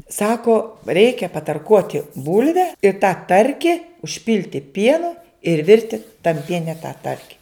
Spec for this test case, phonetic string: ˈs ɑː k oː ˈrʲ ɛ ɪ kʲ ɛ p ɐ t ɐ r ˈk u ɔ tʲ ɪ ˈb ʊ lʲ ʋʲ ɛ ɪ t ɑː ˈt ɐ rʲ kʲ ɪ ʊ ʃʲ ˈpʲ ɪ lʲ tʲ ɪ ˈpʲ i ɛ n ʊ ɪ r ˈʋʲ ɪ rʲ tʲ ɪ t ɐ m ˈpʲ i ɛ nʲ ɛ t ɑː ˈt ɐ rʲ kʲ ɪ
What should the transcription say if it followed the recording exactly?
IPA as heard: ˈs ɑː k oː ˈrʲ ɛ ɪ kʲ ɛ p ɐ t ɐ r ˈk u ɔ tʲ ɪ ˈb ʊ lʲ ʋʲ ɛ ɪ t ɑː ˈt ɐ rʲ kʲ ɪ ʊ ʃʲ ˈpʲ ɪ lʲ tʲ ɪ ˈpʲ i ɛ n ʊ ɪ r ˈʋʲ ɪ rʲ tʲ ɪ t ɐ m ˈpʲ i ɛ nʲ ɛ t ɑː ˈt ɐ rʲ kʲ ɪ